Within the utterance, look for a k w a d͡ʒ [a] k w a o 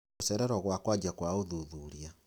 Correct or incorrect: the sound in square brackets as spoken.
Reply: correct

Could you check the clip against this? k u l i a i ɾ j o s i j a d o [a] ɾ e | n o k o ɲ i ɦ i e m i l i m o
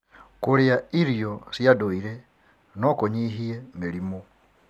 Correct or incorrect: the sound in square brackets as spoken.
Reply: incorrect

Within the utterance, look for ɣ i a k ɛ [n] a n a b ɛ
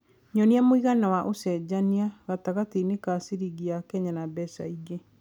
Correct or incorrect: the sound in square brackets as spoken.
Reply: incorrect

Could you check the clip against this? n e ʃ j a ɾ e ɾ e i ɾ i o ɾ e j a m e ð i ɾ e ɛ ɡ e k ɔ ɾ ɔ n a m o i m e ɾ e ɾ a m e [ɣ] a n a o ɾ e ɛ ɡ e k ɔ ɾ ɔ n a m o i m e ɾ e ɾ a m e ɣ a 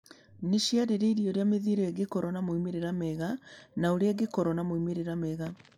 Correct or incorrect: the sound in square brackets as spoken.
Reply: correct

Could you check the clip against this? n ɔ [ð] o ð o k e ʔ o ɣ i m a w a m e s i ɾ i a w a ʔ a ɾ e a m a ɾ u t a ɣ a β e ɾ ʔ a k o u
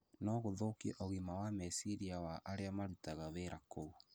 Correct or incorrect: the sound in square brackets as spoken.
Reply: incorrect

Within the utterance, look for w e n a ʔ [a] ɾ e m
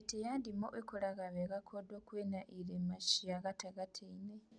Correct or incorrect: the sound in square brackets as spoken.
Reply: incorrect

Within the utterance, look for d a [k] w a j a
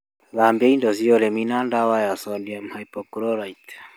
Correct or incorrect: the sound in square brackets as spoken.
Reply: incorrect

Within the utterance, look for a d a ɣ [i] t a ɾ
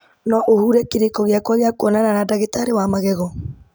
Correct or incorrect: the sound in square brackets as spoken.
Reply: incorrect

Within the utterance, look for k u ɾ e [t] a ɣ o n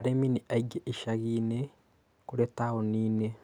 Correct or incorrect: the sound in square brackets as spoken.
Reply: correct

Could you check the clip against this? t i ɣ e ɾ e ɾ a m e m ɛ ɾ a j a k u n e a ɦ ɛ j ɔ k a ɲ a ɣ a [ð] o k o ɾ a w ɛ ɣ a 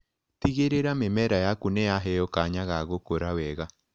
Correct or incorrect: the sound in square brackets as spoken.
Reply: incorrect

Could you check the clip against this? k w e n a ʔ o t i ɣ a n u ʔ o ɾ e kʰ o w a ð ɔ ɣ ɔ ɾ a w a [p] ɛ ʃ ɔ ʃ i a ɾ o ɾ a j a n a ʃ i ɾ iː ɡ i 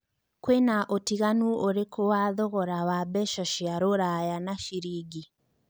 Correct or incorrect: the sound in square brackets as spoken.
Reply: incorrect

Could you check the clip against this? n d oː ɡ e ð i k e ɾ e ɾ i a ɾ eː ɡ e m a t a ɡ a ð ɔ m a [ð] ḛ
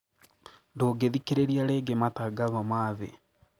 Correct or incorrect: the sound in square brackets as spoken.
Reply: correct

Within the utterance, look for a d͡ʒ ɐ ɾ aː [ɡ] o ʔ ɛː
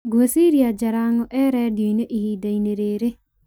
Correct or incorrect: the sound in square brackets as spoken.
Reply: incorrect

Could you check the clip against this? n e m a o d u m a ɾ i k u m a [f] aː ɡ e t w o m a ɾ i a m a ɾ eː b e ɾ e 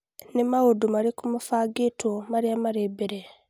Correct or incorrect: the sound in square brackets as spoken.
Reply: correct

